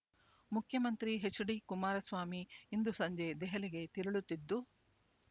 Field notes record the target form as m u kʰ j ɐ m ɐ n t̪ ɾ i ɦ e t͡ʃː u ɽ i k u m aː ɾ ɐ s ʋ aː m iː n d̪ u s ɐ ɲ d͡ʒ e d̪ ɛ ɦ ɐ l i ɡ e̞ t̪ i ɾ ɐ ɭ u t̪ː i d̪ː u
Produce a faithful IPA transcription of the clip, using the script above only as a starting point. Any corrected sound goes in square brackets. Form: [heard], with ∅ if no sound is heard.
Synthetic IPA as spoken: m u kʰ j ɐ m ɐ n t̪ ɾ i ɦ e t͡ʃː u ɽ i k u m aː ɾ ɐ s ʋ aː m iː n d̪ u s ɐ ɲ d͡ʒ e d̪ ɛ ɦ ɐ l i ɡ e̞ t̪ i ɾ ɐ ɭ u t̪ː i d̪ː u

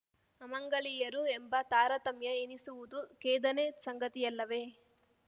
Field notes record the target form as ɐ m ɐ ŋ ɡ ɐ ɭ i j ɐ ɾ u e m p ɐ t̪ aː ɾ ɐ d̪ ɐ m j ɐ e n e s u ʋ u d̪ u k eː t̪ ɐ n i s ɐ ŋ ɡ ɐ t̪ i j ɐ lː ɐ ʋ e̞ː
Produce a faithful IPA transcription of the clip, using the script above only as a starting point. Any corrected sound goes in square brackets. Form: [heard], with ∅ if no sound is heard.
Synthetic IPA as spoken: ɐ m ɐ ŋ ɡ ɐ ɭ i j ɐ ɾ u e m [b] ɐ t̪ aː ɾ ɐ [t̪] ɐ m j ɐ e n [i] s u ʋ u d̪ u k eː [d̪] ɐ n [e] s ɐ ŋ ɡ ɐ t̪ i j ɐ lː ɐ ʋ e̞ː

